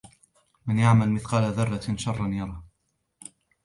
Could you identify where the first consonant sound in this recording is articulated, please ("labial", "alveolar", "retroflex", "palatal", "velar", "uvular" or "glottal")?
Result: labial